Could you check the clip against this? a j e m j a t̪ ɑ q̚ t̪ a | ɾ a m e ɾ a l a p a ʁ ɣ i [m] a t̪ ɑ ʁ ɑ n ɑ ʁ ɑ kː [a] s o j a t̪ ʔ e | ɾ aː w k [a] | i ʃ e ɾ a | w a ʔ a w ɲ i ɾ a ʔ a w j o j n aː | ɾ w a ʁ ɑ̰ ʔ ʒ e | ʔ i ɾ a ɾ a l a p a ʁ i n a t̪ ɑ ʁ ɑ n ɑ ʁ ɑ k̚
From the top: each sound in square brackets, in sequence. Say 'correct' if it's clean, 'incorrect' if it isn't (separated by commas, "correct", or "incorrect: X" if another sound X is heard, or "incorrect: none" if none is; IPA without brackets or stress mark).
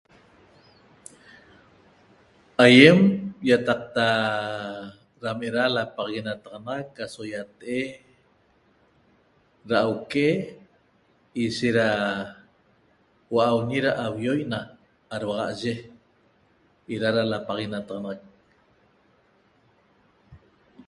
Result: incorrect: n, correct, incorrect: e